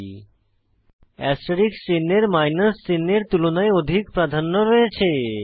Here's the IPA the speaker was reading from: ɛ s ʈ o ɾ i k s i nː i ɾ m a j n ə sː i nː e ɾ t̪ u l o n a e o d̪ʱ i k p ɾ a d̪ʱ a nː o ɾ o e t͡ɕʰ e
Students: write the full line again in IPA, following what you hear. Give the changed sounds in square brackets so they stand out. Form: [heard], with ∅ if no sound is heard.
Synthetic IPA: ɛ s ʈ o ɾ i k s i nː [e] ɾ m a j n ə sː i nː e ɾ t̪ u l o n a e o d̪ʱ i k p ɾ a d̪ʱ a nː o ɾ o e t͡ɕʰ e

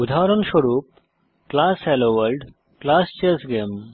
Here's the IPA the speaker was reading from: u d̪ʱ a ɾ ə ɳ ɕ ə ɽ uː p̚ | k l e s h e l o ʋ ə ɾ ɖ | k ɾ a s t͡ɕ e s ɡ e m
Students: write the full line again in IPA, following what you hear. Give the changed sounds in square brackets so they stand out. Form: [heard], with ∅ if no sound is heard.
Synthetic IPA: u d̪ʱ a ɾ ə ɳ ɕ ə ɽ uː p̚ | k l [a] s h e l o ʋ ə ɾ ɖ | k [l] a s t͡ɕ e s ɡ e m

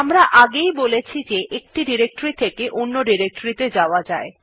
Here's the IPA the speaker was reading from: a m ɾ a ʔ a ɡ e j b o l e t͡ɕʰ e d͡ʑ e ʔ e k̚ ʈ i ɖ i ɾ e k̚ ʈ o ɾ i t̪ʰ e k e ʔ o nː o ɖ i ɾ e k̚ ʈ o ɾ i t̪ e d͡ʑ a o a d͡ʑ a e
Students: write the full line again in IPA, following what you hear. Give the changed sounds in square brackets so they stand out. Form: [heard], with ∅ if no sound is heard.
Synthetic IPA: a m ɾ a ʔ a ɡ e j b o l e t͡ɕʰ [i] d͡ʑ e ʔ e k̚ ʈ i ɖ i ɾ e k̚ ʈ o ɾ i t̪ʰ e k e ʔ o nː o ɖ i ɾ e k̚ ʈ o ɾ i t̪ e d͡ʑ a o a d͡ʑ a e

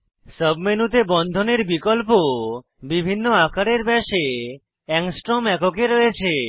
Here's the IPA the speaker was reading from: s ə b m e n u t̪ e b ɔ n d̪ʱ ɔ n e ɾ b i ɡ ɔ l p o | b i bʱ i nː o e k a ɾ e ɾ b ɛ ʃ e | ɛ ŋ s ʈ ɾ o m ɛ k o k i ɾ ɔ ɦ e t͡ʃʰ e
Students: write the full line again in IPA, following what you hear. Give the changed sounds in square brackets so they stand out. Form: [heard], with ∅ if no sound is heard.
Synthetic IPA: s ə b m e n u t̪ e b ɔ n d̪ʱ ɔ n e ɾ b i [k] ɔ l p o | b i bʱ i nː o [a] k a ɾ e ɾ b ɛ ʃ e | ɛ ŋ s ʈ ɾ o m ɛ k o k [e] ɾ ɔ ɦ e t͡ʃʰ e

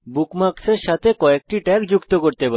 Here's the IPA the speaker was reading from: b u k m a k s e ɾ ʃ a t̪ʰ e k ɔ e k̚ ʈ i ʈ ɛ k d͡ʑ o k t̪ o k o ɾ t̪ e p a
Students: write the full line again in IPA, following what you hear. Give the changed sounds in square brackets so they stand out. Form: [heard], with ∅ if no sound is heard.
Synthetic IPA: b u k m a k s e ɾ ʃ a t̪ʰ e k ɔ e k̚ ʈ i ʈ ɛ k d͡ʑ [u] k t̪ o k o ɾ t̪ e p a

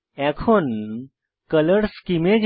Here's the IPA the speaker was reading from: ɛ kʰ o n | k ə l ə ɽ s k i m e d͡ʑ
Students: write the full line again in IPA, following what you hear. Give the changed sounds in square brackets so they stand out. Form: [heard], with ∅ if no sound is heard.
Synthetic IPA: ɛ kʰ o n | k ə l ə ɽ s k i m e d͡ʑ

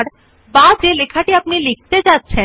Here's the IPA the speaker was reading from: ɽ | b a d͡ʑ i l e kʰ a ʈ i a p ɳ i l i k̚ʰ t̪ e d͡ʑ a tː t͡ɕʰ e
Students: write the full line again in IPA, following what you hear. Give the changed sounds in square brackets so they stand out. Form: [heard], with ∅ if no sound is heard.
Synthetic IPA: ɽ | b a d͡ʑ [e] l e kʰ a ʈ i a p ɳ i l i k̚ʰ t̪ e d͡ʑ a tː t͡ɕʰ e

